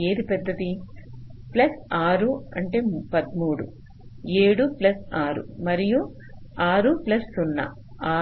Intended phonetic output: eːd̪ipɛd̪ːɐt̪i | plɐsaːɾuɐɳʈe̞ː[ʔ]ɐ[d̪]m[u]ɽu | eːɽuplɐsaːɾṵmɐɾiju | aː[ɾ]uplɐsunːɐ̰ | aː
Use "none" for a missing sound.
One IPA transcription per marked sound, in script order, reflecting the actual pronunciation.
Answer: p, d̪, uː, ɾ

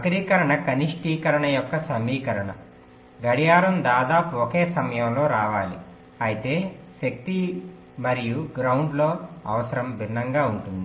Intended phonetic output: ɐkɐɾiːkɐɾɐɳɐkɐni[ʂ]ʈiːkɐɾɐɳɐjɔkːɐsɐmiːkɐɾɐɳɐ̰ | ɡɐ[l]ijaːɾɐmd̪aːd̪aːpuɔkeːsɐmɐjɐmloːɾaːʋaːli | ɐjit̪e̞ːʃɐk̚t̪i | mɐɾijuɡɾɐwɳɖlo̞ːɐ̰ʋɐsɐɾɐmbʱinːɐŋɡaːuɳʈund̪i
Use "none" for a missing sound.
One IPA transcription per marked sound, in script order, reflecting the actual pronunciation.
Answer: ʂ, ɽ

